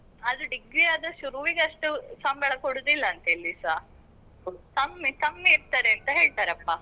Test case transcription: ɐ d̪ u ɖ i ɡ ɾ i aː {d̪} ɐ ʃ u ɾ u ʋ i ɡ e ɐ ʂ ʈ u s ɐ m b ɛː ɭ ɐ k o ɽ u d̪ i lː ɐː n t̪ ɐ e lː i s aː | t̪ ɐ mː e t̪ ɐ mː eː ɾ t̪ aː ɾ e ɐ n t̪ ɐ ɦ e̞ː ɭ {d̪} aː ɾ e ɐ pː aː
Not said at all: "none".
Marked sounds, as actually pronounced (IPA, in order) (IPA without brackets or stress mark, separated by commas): d̪, t̪